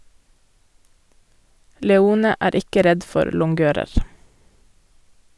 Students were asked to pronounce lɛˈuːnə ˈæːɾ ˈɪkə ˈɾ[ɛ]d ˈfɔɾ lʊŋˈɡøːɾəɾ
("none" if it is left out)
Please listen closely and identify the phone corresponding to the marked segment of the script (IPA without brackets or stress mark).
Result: ɛ